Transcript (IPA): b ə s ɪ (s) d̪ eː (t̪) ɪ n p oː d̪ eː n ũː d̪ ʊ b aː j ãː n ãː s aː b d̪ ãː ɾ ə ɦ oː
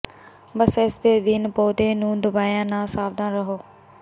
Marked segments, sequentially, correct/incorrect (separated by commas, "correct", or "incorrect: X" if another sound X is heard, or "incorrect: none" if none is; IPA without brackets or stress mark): correct, incorrect: d̪